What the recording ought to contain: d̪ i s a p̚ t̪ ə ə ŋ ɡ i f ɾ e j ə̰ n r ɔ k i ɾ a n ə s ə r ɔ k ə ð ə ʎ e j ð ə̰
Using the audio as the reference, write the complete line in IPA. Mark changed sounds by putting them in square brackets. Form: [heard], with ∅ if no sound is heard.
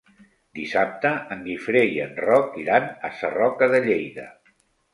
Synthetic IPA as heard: d̪ i s a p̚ t̪ ə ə ŋ ɡ i f ɾ e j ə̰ n r ɔ k i ɾ a n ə s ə r ɔ k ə ð ə ʎ e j ð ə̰